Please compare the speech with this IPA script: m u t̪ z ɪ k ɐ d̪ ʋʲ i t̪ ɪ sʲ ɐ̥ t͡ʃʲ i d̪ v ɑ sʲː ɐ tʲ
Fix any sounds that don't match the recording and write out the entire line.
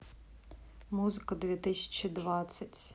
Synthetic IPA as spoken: m u z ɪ k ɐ d̪ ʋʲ i t̪ ɪ sʲ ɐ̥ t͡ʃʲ i d̪ ʋ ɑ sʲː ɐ tʲ